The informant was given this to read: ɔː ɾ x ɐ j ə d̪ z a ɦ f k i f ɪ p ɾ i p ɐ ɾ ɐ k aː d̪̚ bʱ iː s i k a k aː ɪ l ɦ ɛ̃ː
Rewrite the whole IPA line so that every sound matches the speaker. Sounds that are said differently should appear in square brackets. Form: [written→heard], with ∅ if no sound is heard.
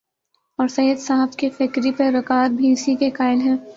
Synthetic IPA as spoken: ɔː ɾ [x→s] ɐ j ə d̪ [z→s] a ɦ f k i f ɪ [p→k] ɾ i p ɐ ɾ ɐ k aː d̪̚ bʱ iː s i k [a→e] k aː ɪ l ɦ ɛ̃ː